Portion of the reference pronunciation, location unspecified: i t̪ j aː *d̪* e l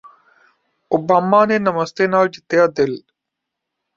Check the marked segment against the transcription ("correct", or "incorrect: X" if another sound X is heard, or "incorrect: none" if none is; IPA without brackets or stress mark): correct